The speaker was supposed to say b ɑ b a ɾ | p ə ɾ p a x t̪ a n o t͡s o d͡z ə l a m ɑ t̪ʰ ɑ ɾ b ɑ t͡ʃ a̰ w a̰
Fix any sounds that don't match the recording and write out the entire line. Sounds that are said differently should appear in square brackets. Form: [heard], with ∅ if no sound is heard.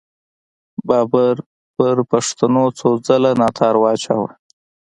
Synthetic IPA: b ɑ b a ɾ | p ə ɾ p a [ʂ] t̪ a n o t͡s o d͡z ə l a [n] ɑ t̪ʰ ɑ ɾ [w] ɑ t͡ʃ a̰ w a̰